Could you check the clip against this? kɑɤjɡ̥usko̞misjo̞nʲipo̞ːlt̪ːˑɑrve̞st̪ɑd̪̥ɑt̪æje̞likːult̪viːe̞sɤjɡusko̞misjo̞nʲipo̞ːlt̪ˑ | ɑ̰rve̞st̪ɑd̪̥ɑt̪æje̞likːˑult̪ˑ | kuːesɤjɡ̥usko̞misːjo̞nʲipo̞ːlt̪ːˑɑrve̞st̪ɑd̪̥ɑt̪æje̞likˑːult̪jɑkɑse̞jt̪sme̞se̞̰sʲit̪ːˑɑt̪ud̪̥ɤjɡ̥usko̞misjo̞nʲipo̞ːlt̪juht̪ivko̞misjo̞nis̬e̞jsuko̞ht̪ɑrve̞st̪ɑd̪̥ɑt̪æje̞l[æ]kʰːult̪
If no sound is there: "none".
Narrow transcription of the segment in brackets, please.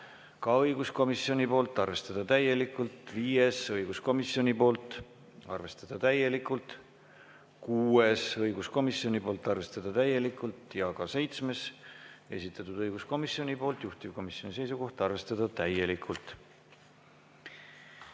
i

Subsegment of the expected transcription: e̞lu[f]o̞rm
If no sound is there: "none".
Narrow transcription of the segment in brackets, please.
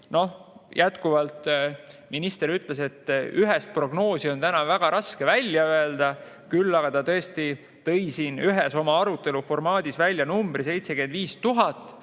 f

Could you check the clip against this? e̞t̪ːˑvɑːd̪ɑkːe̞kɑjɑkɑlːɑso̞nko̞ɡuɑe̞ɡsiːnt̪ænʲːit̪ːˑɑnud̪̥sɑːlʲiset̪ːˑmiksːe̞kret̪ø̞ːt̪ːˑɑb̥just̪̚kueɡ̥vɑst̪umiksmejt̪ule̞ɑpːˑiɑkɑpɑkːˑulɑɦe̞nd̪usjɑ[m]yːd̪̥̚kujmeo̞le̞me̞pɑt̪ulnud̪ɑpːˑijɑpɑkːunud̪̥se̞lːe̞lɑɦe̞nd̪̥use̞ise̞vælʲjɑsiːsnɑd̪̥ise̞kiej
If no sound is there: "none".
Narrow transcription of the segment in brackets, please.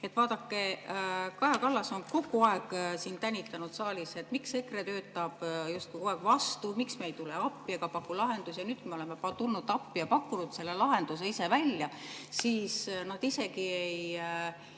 n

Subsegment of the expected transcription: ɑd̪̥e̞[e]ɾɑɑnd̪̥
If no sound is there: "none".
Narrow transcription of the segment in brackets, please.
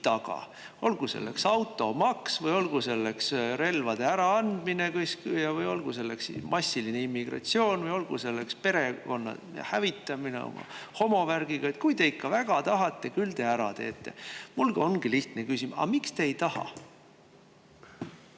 æ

